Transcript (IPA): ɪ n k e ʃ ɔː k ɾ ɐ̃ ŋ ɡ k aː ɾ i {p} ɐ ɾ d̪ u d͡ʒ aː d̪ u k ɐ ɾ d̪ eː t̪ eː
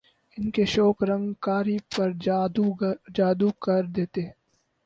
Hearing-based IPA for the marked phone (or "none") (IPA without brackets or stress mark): p